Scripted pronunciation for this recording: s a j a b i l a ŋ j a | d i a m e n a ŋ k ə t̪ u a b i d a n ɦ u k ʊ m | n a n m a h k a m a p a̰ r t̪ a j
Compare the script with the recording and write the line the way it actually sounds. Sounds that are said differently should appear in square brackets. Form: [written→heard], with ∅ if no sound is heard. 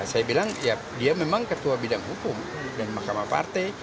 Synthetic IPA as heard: s a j a b i l a ŋ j a | d i a m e [n→m] a ŋ k ə t̪ u a b i d a [n→ŋ] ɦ u k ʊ m | [n→d] a n m a h k a m a p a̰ r t̪ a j